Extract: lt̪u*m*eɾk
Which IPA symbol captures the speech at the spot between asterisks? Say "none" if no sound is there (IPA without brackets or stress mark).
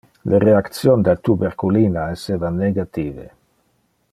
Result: b